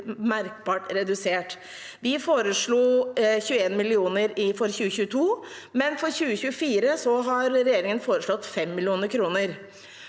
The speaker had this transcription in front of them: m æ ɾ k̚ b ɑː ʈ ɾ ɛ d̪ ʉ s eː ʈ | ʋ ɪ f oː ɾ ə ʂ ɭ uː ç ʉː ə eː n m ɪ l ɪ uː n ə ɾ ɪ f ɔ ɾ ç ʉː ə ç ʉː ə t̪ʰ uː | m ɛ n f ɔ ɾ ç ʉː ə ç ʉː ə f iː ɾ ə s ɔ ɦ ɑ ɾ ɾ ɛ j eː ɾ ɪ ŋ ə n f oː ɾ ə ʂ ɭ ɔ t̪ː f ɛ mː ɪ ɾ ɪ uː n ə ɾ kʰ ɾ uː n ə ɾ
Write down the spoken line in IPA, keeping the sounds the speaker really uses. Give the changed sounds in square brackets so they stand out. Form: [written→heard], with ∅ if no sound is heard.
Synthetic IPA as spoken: m æ ɾ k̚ b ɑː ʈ ɾ ɛ d̪ ʉ s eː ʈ | ʋ ɪ f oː ɾ ə ʂ ɭ uː ç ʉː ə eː n m ɪ l ɪ uː n ə ɾ ɪ f ɔ ɾ ç ʉː ə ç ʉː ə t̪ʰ uː | m ɛ n f ɔ ɾ ç ʉː ə ç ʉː ə f iː ɾ ə s ɔ ɦ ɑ ɾ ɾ ɛ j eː ɾ ɪ ŋ ə n f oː ɾ ə ʂ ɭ ɔ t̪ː f ɛ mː ɪ [ɾ→l] ɪ uː n ə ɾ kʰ ɾ uː n ə ɾ